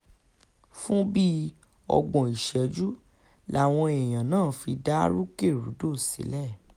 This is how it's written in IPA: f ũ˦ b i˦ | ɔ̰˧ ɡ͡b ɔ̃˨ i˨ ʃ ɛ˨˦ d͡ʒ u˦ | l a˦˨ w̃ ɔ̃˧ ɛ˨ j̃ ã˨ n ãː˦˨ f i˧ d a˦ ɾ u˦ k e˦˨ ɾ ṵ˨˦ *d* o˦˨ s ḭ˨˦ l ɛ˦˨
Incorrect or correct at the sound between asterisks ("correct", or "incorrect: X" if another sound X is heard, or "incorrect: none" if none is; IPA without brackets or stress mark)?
correct